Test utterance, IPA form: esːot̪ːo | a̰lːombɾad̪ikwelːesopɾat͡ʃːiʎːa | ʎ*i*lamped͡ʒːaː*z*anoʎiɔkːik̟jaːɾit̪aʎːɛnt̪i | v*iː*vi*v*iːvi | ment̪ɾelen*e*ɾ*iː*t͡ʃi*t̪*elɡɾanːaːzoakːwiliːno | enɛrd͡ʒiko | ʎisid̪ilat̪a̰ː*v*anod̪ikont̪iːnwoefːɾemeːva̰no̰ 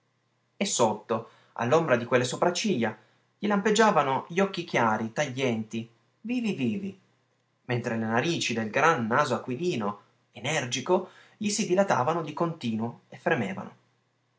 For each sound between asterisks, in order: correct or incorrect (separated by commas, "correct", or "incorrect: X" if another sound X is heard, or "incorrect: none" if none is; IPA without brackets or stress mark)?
correct, incorrect: v, correct, correct, incorrect: a, correct, incorrect: d̪, correct